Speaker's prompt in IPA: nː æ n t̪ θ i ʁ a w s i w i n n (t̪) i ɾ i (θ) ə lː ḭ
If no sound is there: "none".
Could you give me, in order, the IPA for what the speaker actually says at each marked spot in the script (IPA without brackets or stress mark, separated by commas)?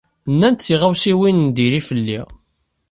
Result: d̪, f